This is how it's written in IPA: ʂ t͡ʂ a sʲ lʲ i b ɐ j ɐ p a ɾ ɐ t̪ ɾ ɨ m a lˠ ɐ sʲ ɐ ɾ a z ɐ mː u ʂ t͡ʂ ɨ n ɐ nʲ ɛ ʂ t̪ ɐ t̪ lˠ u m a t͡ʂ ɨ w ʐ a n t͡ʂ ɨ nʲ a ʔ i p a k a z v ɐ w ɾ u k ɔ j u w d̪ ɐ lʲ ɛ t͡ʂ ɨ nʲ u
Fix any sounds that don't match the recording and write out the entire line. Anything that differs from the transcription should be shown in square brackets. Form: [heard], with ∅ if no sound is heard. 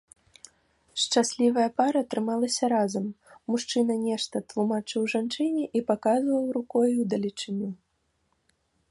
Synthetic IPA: ʂ t͡ʂ a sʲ lʲ i [v] ɐ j ɐ p a ɾ ɐ t̪ ɾ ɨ m a lˠ ɐ sʲ ɐ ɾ a z ɐ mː u ʂ t͡ʂ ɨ n ɐ nʲ ɛ ʂ t̪ ɐ t̪ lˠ u m a t͡ʂ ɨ w ʐ a n t͡ʂ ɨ nʲ [ɛ] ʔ i p a k a z v ɐ w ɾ u k ɔ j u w d̪ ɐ lʲ [i] t͡ʂ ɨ nʲ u

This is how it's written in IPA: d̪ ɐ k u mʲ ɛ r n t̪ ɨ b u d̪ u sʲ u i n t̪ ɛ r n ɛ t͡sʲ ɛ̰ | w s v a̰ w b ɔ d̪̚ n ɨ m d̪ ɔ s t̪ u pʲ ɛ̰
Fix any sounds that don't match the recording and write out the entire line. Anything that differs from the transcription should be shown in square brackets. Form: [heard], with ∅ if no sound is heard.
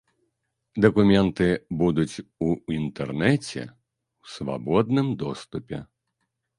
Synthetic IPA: d̪ ɐ k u mʲ ɛ [∅] n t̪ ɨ b u d̪ u [t͡sʲ] u i n t̪ ɛ r n ɛ t͡sʲ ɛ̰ | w s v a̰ [∅] b ɔ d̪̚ n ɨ m d̪ ɔ s t̪ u pʲ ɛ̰

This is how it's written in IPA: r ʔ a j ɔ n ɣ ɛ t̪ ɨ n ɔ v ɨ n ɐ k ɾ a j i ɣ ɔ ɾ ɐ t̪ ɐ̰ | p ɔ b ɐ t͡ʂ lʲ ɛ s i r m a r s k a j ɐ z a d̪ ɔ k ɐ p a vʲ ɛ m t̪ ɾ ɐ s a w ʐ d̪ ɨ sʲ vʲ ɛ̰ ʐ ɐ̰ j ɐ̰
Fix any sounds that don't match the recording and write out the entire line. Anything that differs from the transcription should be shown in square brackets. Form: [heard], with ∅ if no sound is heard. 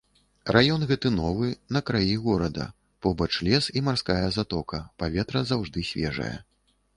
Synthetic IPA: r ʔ a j ɔ n ɣ ɛ t̪ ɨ n ɔ v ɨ n ɐ k ɾ a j i ɣ ɔ ɾ ɐ [d̪] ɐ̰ | p ɔ b ɐ t͡ʂ lʲ ɛ s i [∅] m a r s k a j ɐ z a [t̪] ɔ k ɐ p a vʲ ɛ [∅] t̪ ɾ ɐ [z] a w ʐ d̪ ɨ sʲ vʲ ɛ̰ ʐ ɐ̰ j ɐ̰

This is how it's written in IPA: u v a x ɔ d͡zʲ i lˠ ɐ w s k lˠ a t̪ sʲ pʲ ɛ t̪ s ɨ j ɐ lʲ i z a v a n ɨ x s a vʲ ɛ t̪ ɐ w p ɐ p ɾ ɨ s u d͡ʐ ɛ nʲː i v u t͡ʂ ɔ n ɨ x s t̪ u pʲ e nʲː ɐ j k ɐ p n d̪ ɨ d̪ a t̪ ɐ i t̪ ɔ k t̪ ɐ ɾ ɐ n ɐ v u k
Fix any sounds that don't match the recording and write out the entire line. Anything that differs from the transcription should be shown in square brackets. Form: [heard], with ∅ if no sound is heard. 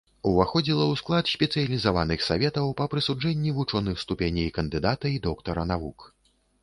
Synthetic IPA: u v a x ɔ d͡zʲ i lˠ ɐ w s k lˠ a t̪ sʲ pʲ ɛ t̪ s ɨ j ɐ lʲ i z a v a n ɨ x s a vʲ ɛ t̪ ɐ w p ɐ p ɾ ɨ s u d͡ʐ ɛ nʲː i v u t͡ʂ ɔ n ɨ x s t̪ u pʲ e [nʲ] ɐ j k ɐ [∅] n d̪ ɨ d̪ a t̪ ɐ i [d̪] ɔ k t̪ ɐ ɾ ɐ n [a] v u k

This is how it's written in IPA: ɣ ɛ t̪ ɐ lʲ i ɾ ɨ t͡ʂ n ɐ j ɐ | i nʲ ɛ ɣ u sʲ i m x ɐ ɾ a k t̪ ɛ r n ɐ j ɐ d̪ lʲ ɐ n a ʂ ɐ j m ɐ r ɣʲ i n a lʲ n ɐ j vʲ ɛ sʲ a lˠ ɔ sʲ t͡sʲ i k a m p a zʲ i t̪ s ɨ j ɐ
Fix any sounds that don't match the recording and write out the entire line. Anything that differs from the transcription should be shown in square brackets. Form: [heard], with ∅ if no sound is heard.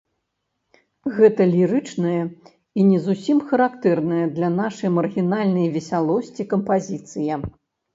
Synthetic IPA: ɣ ɛ t̪ ɐ lʲ i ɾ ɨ t͡ʂ n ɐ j ɐ | i nʲ ɛ [z] u sʲ i m x ɐ ɾ a k t̪ ɛ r n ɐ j ɐ d̪ lʲ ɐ n a ʂ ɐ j m ɐ r ɣʲ i n a lʲ n ɐ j vʲ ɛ sʲ a lˠ ɔ sʲ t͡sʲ i k [ɐ] m p a zʲ i t̪ s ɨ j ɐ

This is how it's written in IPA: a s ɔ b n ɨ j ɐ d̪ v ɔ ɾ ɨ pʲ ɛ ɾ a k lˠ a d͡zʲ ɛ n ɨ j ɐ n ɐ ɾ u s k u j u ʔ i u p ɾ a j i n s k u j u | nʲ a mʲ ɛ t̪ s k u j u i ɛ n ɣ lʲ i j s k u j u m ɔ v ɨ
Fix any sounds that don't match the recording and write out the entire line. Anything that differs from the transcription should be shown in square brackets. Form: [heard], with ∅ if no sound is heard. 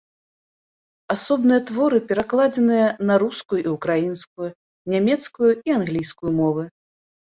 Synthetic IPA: a s ɔ b n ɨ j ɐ [t̪] v ɔ ɾ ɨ pʲ ɛ ɾ a k lˠ a d͡zʲ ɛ n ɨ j ɐ n ɐ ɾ u s k u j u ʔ i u [k] ɾ a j i n s k u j u | nʲ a mʲ ɛ t̪ s k u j u i [a] n ɣ lʲ i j s k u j u m ɔ v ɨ

